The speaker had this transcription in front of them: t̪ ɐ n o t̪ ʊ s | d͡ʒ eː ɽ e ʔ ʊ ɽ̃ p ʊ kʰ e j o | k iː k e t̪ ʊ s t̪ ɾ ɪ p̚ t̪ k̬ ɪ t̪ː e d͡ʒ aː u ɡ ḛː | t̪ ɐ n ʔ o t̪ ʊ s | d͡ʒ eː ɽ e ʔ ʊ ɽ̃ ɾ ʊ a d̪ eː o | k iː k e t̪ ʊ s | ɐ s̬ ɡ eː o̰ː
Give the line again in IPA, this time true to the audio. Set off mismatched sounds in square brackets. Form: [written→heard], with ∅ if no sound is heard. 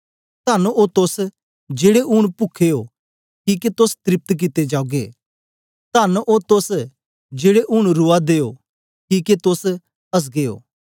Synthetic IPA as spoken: t̪ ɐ n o t̪ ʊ s | d͡ʒ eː ɽ e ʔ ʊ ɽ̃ p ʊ kʰ e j o | k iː k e t̪ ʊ s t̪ ɾ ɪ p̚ t̪ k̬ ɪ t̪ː e d͡ʒ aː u ɡ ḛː | t̪ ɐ n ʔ o t̪ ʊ s | d͡ʒ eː ɽ e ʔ ʊ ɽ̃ ɾ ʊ a d̪ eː o | k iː k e t̪ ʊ s | ɐ s̬ ɡ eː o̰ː